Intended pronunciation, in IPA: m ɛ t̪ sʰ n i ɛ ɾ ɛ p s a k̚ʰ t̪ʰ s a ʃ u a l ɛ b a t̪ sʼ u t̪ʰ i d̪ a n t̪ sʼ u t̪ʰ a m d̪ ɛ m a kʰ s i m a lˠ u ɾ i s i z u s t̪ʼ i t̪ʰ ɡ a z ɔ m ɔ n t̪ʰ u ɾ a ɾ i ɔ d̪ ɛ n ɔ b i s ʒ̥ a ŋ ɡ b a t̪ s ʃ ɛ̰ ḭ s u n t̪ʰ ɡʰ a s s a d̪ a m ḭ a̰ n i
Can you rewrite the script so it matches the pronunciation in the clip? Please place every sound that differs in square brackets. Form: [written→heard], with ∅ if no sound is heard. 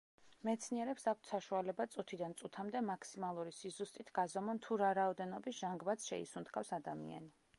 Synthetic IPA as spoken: m ɛ t̪ sʰ n i ɛ ɾ ɛ p s a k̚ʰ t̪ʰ s a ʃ u a l ɛ b a t̪ sʼ u t̪ʰ i d̪ a n t̪ sʼ u t̪ʰ a m d̪ ɛ m a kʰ s i m a lˠ u ɾ i s i z u s t̪ʼ i t̪ʰ ɡ a z ɔ m ɔ n t̪ʰ u ɾ a ɾ [i→a] ɔ d̪ ɛ n ɔ b i s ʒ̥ a ŋ ɡ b a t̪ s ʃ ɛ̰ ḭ s u n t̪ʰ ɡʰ a [s→f] s a d̪ a m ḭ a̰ n i

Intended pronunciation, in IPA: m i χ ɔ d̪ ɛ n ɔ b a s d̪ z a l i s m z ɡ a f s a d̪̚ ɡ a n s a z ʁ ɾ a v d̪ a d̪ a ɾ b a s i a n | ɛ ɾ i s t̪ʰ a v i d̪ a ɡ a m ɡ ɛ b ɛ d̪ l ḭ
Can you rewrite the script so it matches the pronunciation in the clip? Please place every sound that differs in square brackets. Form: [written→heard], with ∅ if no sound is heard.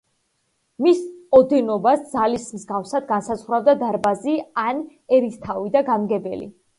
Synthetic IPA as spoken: m i [χ→s] ɔ d̪ ɛ n ɔ b a s d̪ z a l i s m z ɡ a f s a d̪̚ ɡ a n s a z ʁ ɾ a v d̪ a d̪ a ɾ b a [s→z] i a n | ɛ ɾ i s t̪ʰ a v i d̪ a ɡ a m ɡ ɛ b ɛ [d̪→∅] l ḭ

